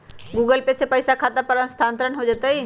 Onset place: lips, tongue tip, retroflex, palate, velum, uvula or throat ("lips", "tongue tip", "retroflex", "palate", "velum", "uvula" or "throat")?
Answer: velum